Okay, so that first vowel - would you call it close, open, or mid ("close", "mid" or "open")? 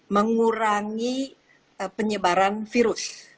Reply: mid